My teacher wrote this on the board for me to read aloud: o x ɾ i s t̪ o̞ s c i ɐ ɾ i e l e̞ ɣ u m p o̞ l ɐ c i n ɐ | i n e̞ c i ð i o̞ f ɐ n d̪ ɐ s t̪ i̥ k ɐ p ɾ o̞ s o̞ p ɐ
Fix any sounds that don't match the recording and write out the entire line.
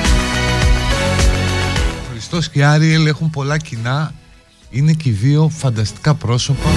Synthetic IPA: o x ɾ i s t̪ o̞ s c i ɐ ɾ i e l e̞ x u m p o̞ l ɐ c i n ɐ | i n e̞ c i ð i o̞ f ɐ n d̪ ɐ s t̪ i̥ k ɐ p ɾ o̞ s o̞ p ɐ